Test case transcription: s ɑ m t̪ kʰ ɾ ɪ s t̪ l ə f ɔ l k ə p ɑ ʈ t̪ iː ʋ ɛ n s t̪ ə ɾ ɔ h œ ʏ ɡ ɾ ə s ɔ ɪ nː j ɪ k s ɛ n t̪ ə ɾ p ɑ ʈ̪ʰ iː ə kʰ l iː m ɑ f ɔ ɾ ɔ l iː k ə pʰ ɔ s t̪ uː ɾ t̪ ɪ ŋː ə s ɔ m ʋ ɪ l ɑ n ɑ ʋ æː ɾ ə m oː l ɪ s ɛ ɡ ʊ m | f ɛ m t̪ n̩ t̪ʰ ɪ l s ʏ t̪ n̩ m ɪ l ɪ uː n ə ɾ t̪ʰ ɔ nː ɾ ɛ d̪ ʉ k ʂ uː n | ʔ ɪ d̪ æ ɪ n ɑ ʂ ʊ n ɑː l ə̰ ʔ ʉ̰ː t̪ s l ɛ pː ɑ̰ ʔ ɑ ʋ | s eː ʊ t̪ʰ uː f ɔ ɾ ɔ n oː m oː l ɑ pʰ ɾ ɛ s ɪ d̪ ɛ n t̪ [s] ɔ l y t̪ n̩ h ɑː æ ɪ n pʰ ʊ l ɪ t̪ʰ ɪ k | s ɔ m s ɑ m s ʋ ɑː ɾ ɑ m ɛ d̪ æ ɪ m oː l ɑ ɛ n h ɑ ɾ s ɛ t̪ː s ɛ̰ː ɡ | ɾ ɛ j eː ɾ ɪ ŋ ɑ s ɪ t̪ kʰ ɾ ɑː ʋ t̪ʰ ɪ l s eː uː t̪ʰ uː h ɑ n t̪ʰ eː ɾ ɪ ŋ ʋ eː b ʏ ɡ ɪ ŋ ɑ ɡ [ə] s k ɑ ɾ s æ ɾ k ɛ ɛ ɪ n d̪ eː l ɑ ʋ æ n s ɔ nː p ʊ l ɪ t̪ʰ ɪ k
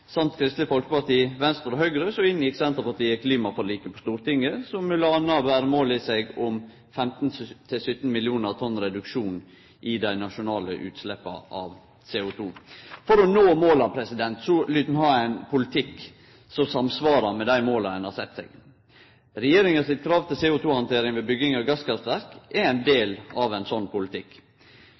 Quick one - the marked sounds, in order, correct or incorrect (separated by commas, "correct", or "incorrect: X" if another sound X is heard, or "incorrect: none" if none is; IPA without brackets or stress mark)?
correct, incorrect: ɑ